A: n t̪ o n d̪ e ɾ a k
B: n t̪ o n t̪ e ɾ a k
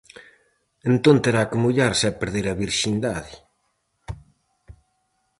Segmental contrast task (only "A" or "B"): B